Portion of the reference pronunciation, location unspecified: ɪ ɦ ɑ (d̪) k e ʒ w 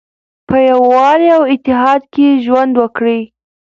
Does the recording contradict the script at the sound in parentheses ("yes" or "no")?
no